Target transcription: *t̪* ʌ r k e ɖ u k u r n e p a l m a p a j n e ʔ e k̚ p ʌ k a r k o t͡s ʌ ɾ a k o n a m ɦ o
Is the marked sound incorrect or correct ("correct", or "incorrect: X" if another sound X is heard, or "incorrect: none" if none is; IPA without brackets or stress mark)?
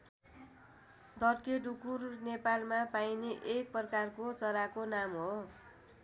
incorrect: d̪